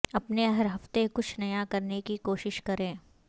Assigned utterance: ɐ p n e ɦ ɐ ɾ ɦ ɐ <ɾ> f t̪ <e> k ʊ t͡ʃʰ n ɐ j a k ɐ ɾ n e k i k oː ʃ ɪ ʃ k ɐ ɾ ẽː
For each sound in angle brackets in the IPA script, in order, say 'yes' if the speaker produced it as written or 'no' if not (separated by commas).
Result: no, yes